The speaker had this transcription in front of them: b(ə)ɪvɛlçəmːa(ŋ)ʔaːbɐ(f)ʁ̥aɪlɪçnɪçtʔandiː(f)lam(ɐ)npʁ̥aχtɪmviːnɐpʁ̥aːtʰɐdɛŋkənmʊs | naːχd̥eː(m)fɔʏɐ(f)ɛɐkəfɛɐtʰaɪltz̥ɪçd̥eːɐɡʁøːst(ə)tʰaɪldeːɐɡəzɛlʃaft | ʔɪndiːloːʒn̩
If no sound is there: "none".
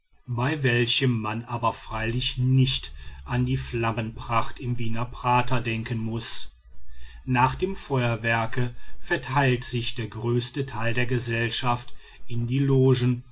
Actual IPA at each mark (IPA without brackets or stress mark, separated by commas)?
a, n, f, f, ə, m, v, ə